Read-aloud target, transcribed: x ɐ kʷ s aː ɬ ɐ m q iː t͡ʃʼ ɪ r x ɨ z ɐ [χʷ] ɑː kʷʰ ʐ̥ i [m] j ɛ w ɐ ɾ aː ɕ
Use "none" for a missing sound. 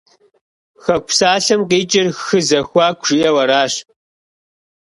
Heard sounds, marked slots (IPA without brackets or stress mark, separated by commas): xʷ, none